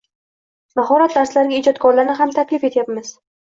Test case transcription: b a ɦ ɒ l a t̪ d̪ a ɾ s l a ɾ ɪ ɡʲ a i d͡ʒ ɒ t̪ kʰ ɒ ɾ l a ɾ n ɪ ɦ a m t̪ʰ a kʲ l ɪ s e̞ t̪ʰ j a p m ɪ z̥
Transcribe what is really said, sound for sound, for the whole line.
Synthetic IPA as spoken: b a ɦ ɒ ɾ a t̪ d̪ a ɾ s l a ɾ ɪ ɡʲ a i d͡ʒ ɒ t̪ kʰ ɒ ɾ l a ɾ n ɪ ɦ a m t̪ʰ a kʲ l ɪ f e̞ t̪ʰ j a p m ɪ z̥